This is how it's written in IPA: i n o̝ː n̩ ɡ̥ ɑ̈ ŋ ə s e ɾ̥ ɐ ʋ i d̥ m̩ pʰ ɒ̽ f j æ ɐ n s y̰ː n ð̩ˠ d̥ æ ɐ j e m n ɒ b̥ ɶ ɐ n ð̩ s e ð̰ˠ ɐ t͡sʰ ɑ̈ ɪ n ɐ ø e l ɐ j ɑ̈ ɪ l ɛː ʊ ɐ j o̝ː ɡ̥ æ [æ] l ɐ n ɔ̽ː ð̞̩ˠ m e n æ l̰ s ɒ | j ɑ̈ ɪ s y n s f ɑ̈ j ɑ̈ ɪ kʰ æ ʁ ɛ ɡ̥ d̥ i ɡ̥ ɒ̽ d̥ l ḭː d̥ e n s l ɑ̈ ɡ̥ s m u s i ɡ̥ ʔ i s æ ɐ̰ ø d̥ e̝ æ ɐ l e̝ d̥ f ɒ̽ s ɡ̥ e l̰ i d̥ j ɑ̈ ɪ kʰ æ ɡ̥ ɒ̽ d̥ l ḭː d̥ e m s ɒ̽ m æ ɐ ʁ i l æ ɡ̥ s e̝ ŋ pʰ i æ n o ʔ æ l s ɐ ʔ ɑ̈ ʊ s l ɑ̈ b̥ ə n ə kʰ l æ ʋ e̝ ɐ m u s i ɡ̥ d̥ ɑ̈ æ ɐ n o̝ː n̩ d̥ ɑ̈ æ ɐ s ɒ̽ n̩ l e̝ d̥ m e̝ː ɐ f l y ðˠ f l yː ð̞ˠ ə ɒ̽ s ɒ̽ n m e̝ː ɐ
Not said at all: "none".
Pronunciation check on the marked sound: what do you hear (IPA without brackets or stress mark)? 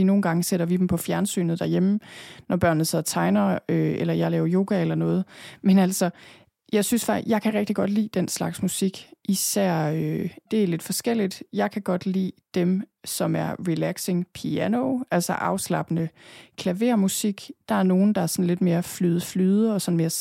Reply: e